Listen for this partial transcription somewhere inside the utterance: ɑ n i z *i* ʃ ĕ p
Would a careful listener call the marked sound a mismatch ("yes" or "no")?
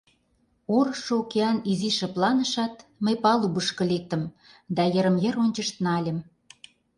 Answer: no